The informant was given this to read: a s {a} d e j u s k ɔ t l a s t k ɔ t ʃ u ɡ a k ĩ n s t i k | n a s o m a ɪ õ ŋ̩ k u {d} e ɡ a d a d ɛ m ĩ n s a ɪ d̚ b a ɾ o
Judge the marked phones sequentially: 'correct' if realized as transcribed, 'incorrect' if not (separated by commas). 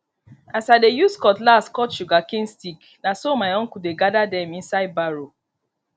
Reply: correct, correct